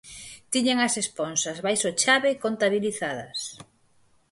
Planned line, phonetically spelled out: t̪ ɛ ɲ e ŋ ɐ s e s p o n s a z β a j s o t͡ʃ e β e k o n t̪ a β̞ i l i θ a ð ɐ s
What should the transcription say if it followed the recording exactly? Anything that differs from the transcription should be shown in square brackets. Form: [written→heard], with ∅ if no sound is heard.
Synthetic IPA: t̪ [ɛ→i] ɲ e ŋ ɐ s e s p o n s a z β a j s o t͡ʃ [e→a] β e k o n t̪ a β̞ i l i θ a ð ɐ s